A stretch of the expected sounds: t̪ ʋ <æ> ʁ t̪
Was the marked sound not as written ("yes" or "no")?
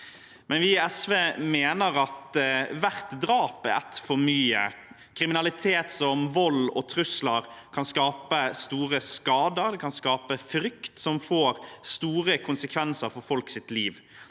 no